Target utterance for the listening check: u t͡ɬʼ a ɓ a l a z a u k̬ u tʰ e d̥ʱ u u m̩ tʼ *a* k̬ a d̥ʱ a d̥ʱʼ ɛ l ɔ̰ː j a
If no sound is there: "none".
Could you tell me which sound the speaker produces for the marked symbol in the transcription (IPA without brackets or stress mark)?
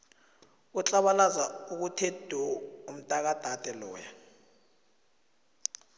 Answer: a